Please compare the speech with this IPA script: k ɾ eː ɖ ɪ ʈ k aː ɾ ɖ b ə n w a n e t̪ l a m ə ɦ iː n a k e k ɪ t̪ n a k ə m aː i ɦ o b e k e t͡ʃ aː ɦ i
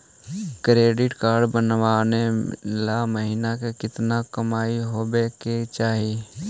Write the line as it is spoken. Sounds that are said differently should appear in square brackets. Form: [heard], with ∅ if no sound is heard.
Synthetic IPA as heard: k ɾ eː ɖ ɪ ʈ k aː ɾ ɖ b ə n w a n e [∅] l a m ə ɦ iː n a k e k ɪ t̪ n a k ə m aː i ɦ o b e k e t͡ʃ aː ɦ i